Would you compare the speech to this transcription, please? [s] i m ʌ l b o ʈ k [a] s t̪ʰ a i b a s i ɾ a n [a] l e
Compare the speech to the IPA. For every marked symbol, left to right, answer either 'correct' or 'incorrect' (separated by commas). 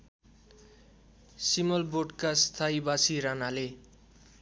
correct, correct, correct